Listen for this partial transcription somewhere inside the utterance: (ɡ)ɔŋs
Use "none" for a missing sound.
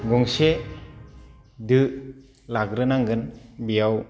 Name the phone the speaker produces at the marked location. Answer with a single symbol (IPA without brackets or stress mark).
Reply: ɡ